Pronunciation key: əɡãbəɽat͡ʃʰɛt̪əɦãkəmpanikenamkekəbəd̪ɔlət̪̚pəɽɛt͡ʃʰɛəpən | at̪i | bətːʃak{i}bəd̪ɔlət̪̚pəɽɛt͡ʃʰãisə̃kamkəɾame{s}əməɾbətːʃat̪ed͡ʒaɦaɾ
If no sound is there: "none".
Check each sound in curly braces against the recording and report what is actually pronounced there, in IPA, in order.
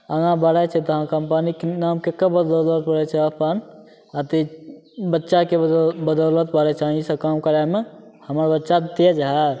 e, h

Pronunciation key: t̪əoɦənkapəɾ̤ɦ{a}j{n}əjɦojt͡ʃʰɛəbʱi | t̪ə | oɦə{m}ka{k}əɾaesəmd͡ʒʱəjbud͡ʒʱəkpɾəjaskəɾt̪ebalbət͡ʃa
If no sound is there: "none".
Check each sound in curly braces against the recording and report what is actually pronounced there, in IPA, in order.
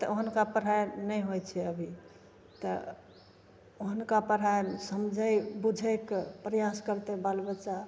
a, n, n, p

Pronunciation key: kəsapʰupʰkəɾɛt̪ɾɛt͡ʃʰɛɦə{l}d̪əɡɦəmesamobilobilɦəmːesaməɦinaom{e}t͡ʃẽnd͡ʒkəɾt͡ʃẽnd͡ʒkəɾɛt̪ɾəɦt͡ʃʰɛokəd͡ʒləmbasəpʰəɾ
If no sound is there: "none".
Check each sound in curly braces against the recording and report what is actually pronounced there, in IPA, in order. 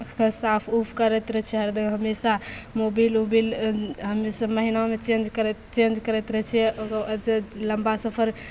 ɾ, e

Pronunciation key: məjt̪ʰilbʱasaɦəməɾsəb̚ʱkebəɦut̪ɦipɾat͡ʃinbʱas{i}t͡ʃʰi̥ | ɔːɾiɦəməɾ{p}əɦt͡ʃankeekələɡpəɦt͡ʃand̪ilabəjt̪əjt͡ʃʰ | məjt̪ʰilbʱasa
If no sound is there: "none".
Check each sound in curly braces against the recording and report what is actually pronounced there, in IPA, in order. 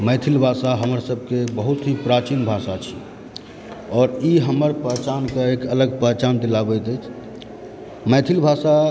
a, p

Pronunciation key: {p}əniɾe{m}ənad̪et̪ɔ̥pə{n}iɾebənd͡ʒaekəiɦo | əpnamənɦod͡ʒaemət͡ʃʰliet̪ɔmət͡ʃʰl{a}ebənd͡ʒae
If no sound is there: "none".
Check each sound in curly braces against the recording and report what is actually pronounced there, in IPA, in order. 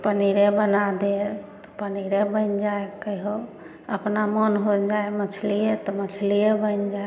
p, b, n, i

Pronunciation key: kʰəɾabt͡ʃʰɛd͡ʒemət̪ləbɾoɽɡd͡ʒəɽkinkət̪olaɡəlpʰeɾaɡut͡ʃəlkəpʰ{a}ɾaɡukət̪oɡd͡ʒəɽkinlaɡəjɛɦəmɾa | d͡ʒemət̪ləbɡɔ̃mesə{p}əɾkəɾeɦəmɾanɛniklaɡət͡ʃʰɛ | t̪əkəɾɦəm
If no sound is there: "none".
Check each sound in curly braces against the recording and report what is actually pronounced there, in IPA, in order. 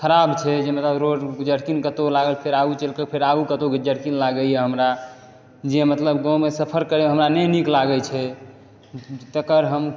e, pʰ

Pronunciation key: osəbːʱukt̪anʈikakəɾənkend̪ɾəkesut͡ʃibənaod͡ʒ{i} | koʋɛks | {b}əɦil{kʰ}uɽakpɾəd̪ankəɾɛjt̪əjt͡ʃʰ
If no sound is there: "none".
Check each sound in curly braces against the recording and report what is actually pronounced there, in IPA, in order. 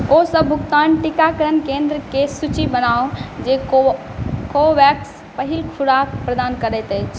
e, p, kʰ

